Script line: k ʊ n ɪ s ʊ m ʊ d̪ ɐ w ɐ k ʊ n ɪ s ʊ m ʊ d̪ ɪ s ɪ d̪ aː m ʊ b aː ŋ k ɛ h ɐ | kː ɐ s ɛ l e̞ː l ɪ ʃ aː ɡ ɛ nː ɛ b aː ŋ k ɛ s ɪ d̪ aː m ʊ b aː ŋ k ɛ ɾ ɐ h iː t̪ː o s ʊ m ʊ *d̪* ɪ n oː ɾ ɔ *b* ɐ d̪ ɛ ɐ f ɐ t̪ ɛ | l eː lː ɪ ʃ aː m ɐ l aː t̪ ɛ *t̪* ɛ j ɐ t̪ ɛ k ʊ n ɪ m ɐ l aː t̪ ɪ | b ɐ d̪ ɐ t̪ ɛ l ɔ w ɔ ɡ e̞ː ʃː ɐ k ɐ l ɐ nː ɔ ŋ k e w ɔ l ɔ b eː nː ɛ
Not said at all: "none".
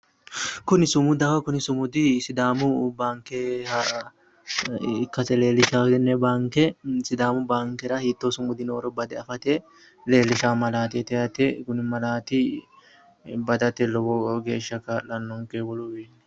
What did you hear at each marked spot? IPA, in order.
d̪, b, t̪

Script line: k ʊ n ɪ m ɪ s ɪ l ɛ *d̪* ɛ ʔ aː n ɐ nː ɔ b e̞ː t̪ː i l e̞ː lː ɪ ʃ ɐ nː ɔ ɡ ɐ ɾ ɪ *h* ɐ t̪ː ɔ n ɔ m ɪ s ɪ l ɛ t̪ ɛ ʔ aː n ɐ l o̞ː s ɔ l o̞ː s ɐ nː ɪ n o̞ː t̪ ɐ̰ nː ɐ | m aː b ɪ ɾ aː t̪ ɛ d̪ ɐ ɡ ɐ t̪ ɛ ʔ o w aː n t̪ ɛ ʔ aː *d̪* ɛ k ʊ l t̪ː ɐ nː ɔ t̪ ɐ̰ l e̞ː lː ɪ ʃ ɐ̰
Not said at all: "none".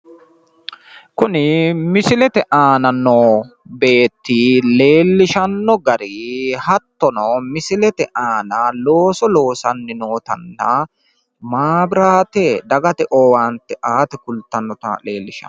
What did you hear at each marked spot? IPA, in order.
t̪, h, t̪

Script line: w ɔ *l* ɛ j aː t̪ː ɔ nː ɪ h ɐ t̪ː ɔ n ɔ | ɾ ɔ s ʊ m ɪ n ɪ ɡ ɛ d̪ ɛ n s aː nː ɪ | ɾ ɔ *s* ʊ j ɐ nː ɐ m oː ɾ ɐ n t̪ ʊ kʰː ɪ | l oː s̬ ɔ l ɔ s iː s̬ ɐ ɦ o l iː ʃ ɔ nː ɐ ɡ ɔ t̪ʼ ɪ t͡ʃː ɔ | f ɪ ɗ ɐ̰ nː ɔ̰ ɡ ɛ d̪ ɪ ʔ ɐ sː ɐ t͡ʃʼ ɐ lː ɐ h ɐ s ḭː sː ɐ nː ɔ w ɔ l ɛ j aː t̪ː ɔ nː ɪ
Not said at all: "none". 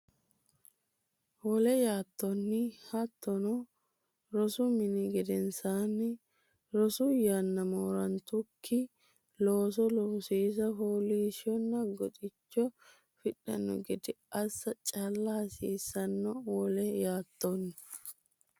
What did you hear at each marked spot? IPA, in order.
l, s

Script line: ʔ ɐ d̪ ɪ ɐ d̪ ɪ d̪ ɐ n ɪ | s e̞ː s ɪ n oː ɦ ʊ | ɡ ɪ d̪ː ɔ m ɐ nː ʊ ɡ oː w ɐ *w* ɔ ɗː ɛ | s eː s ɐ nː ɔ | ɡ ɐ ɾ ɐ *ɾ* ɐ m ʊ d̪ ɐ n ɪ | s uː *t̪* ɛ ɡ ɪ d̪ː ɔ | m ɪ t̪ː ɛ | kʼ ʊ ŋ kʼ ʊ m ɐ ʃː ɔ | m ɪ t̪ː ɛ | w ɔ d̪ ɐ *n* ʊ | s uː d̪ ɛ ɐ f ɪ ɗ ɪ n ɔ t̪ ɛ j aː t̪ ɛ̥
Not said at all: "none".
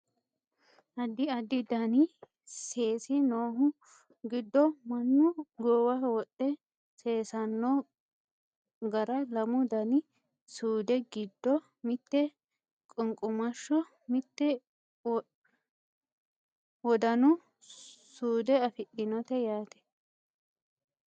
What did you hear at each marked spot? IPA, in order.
w, l, d̪, n

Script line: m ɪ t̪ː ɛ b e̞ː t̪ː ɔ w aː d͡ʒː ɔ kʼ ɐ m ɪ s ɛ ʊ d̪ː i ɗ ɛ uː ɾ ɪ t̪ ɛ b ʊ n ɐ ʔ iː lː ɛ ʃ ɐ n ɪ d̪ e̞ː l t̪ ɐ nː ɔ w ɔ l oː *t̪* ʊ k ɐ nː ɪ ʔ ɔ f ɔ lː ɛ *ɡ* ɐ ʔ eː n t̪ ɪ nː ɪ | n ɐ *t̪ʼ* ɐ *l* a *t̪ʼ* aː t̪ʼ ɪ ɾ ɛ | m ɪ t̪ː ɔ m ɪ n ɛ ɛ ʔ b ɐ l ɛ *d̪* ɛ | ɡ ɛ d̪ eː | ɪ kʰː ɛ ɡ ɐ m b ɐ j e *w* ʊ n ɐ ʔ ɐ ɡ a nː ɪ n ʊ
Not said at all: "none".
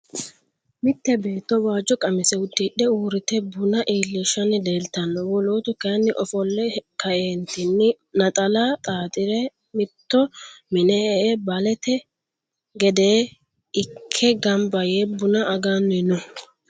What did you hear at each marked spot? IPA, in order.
t̪, k, t̪ʼ, l, t̪ʼ, t̪, b

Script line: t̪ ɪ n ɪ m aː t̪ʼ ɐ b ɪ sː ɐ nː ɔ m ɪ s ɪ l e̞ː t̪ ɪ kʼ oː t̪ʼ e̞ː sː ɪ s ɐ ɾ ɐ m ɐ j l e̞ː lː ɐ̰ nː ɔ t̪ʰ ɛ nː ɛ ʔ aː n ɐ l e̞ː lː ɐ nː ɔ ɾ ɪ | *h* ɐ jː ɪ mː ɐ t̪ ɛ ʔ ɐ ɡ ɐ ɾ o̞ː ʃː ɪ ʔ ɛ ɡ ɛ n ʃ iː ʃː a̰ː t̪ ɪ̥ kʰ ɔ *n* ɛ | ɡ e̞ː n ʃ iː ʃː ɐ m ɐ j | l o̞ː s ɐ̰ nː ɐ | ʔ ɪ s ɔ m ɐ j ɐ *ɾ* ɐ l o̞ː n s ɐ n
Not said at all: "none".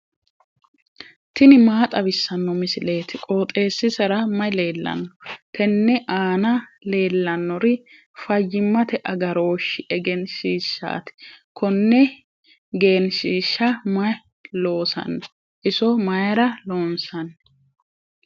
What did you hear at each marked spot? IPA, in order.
f, nː, ɾ

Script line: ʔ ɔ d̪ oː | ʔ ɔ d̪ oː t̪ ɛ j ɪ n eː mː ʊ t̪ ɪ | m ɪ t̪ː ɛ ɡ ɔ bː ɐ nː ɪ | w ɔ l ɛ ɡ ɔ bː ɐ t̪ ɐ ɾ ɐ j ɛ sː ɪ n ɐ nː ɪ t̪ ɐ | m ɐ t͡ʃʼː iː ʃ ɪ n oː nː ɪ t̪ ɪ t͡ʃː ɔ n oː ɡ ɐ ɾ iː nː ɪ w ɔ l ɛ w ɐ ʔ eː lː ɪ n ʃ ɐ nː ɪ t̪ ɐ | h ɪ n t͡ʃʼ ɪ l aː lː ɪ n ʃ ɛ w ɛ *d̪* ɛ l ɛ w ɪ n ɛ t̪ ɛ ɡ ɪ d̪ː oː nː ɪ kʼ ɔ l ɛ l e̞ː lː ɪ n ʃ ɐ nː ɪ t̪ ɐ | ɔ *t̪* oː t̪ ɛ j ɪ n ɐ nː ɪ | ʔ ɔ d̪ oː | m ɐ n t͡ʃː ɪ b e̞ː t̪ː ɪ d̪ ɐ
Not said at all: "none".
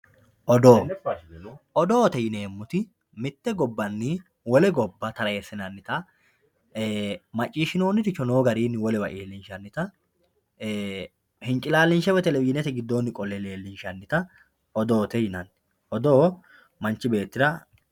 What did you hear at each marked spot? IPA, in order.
t̪, d̪

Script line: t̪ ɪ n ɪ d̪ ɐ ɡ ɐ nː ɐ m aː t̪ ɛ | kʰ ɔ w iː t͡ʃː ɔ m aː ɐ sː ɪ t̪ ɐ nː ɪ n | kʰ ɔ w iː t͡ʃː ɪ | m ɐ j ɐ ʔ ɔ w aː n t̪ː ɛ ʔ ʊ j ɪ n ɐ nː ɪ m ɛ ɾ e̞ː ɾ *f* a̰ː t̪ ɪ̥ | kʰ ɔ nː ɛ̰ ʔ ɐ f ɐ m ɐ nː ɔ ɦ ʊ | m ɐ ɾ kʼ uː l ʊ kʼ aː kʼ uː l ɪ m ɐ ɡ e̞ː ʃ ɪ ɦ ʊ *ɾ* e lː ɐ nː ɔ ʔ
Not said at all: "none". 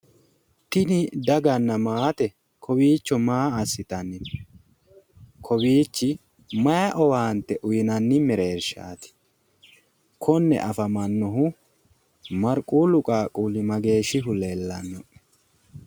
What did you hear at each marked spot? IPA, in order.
ʃ, l

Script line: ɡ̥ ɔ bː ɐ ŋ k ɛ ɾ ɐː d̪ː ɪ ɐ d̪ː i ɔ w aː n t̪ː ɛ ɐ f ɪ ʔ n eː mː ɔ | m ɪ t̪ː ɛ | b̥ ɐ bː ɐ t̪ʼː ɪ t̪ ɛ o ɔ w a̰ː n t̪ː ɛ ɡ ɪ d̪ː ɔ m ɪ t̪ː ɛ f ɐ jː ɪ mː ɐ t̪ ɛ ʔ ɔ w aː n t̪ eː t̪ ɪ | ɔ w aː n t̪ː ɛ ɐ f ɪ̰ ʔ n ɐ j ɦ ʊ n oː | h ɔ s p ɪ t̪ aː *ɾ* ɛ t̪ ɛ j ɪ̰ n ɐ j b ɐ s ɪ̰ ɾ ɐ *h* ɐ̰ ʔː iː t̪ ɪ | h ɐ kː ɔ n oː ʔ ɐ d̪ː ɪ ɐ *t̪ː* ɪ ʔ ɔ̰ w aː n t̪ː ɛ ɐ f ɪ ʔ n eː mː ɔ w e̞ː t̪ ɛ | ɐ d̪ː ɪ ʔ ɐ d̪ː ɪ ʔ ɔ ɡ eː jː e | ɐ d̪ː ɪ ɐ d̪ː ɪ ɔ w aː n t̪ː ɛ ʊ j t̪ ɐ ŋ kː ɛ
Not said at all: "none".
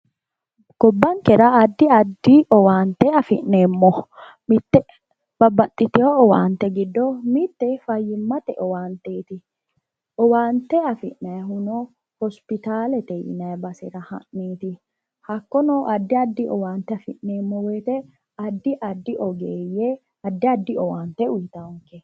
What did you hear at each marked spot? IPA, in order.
l, h, d̪ː

